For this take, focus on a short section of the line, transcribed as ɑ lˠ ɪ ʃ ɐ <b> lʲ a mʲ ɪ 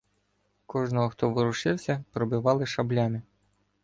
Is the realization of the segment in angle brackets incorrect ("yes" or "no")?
no